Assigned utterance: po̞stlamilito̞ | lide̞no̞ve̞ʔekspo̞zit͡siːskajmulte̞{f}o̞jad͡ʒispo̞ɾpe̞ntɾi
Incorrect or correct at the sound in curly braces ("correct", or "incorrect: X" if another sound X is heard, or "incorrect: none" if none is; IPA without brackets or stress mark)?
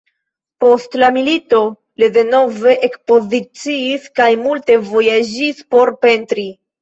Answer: incorrect: v